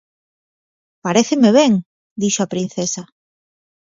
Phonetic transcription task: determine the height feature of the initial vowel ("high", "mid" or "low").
low